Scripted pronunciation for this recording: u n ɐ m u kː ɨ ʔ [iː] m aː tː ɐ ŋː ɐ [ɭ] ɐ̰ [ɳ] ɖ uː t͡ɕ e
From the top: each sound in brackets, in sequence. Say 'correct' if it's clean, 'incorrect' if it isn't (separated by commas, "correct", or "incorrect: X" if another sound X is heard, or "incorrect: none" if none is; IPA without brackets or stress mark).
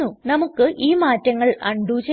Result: correct, correct, correct